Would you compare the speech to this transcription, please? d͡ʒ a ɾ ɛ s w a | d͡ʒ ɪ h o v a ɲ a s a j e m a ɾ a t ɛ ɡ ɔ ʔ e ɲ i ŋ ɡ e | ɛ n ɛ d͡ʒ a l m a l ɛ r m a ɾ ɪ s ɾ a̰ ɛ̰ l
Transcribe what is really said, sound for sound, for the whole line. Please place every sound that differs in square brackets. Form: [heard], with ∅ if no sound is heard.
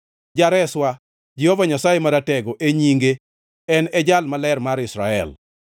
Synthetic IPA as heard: d͡ʒ a ɾ ɛ s w a | d͡ʒ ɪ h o v a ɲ a s a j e m a ɾ a t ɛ ɡ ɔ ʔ e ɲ i ŋ ɡ e | ɛ n ɛ d͡ʒ a l m a l ɛ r m a ɾ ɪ s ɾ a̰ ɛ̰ l